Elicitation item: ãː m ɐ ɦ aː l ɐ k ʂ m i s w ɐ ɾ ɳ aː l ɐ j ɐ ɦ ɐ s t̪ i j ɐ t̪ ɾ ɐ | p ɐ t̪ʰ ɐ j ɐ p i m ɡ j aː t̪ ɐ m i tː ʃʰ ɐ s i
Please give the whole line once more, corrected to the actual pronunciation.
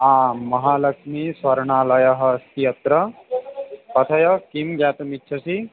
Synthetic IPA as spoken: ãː m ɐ ɦ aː l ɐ k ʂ m i s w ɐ ɾ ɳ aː l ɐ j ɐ ɦ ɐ s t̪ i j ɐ t̪ ɾ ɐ | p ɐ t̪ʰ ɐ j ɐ k i m ɡ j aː t̪ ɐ m i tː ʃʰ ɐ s i